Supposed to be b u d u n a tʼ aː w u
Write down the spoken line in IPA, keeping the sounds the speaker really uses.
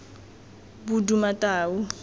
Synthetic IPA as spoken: b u d u m a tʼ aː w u